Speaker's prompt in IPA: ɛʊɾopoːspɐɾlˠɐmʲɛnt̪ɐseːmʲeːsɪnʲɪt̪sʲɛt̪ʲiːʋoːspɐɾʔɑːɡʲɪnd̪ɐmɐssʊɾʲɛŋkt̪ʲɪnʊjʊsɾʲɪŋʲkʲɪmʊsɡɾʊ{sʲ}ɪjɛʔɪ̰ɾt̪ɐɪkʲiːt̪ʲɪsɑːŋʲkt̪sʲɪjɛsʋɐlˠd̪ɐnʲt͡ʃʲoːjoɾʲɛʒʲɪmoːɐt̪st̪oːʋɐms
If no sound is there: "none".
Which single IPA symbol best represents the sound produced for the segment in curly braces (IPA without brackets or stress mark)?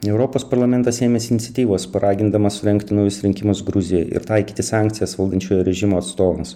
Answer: zʲ